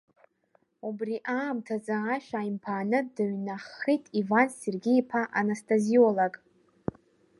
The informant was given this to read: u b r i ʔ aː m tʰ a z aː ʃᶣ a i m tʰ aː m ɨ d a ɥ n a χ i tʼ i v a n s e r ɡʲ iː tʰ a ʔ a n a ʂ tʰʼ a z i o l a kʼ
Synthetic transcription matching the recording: u b r i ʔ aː m tʰ a z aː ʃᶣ a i m pʰ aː n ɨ d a ɥ n a χ i tʼ i v a n s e r ɡʲ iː pʰ a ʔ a n a s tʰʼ a z i o l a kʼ